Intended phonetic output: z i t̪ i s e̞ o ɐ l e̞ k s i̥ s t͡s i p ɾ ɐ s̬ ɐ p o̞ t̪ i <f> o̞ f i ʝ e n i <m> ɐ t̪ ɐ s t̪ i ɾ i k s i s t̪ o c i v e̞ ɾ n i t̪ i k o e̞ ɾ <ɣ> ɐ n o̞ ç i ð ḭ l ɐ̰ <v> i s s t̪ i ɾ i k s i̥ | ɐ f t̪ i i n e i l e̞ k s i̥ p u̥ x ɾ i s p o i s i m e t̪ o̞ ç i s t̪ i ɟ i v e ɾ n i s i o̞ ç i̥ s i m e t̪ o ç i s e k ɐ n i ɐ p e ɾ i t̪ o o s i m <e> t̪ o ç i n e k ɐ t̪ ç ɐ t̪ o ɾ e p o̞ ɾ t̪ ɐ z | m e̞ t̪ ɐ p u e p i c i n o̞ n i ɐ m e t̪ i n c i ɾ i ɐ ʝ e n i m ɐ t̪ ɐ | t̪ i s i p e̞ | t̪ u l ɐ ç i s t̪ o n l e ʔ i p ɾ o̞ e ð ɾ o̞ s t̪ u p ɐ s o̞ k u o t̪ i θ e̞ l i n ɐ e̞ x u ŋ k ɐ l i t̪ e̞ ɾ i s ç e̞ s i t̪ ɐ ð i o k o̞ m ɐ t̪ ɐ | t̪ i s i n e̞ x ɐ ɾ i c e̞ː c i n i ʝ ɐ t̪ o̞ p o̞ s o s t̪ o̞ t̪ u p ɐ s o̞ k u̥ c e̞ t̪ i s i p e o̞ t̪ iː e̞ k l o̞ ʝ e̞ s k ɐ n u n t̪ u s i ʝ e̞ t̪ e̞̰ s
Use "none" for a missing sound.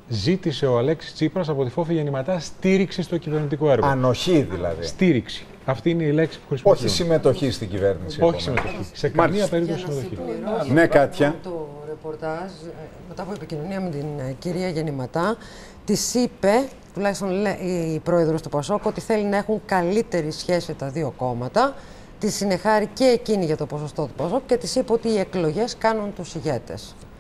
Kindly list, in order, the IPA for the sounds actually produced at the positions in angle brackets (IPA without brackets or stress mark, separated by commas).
f, m, ɣ, ð, e